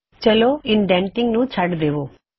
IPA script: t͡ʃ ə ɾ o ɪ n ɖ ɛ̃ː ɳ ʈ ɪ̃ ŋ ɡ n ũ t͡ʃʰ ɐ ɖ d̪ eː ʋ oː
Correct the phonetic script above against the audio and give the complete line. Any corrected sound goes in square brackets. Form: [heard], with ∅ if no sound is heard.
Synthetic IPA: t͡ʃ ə [l] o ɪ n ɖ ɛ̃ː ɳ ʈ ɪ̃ ŋ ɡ n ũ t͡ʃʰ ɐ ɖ d̪ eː ʋ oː